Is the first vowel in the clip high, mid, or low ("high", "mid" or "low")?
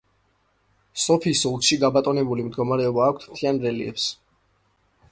mid